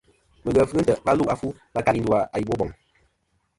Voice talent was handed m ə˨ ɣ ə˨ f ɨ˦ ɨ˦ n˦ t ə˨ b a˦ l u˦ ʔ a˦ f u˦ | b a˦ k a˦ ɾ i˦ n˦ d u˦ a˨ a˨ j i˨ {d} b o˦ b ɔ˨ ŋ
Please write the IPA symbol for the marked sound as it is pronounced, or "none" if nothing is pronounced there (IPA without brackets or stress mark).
none